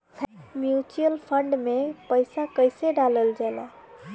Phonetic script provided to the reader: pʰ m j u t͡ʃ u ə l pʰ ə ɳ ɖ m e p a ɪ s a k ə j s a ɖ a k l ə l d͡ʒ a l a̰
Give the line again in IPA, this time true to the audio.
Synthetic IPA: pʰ m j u t͡ʃ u ə l pʰ ə ɳ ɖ m e p ə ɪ s a k ə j s e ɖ a l ə l d͡ʒ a l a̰